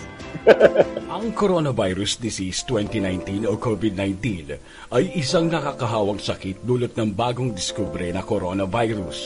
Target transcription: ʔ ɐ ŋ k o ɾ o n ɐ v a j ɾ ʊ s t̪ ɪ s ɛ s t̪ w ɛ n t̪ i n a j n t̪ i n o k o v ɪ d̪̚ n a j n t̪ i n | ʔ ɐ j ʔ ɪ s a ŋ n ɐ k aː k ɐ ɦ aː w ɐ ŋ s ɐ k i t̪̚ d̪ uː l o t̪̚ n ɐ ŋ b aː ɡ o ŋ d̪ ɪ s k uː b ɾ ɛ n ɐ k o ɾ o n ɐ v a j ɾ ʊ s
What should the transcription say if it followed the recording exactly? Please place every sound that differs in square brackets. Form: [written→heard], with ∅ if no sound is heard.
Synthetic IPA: ʔ ɐ ŋ k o ɾ o n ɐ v a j ɾ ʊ s [t̪→d̪] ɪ s [ɛ→i] s t̪ w ɛ n t̪ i n a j n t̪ i n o k o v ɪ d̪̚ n a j n t̪ i n | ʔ ɐ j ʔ ɪ s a ŋ n ɐ k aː k ɐ ɦ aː w ɐ ŋ s ɐ k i t̪̚ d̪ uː l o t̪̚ n ɐ ŋ b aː ɡ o ŋ d̪ ɪ s k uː b ɾ ɛ n ɐ k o ɾ o n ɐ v a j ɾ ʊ s